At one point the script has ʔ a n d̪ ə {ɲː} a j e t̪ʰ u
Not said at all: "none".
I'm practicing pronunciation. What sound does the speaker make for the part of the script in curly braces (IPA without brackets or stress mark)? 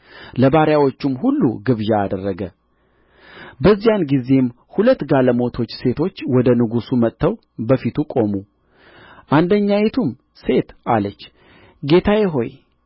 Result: ɲː